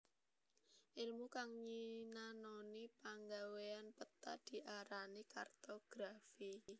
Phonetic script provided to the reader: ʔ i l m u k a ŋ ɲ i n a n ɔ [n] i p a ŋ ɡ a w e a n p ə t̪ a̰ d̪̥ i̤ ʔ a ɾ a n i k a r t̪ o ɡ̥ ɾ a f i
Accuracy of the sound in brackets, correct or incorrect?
correct